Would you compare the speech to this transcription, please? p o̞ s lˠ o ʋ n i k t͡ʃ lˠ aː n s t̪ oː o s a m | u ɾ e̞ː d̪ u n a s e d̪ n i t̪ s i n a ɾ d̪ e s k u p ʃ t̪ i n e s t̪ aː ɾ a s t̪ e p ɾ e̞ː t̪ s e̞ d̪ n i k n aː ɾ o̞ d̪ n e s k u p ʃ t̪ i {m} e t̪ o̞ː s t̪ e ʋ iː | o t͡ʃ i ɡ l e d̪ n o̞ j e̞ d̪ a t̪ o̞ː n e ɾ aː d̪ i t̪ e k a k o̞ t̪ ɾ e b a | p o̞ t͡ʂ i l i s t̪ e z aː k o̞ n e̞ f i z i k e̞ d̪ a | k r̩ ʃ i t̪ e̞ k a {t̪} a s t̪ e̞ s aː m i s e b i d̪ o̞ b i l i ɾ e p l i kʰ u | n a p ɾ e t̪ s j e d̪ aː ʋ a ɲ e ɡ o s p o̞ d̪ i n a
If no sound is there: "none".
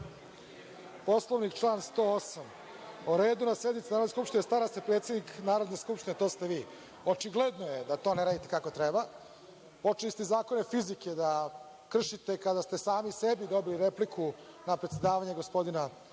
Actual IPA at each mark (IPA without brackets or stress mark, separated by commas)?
n, d̪